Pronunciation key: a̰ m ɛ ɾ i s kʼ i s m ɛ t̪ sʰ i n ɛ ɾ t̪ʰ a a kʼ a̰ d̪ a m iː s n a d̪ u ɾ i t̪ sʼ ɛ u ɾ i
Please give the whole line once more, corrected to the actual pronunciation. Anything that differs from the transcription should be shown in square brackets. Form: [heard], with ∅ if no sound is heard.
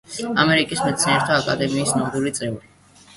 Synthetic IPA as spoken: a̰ m ɛ ɾ i [∅] kʼ i s m ɛ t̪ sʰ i n ɛ ɾ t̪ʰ a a kʼ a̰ d̪ [ɛ] m iː s n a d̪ u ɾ i t̪ sʼ ɛ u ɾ i